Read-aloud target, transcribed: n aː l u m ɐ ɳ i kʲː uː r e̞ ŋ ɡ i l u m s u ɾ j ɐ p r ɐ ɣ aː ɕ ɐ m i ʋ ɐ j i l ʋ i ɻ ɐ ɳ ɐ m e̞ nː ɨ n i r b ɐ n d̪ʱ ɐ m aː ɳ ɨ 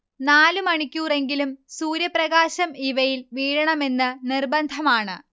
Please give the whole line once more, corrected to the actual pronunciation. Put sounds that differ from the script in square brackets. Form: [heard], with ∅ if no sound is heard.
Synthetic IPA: n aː l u m ɐ ɳ i kʲː uː r e̞ ŋ ɡ i l u m s [uː] ɾ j ɐ p r ɐ ɣ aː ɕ ɐ m i ʋ ɐ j i l ʋ [iː] ɻ ɐ ɳ ɐ m e̞ nː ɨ n i r b ɐ n d̪ʱ ɐ m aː ɳ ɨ